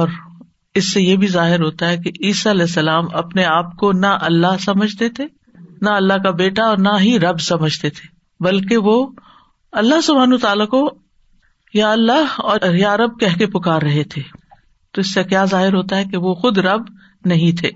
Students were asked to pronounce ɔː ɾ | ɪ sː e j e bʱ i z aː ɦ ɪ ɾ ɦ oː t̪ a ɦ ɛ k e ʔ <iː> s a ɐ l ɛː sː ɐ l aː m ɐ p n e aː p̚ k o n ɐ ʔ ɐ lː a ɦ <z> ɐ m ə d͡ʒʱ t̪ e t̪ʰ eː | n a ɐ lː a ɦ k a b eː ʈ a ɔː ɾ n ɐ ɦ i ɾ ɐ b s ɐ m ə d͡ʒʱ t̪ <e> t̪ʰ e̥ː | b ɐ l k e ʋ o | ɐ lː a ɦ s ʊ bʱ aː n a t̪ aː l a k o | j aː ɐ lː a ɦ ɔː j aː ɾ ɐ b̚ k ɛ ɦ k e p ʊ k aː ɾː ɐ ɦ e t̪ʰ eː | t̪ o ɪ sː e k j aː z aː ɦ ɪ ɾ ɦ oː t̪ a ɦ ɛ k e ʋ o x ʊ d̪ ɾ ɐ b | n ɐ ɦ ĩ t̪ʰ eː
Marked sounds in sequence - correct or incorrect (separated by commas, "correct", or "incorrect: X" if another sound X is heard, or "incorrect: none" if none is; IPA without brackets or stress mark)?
correct, incorrect: s, correct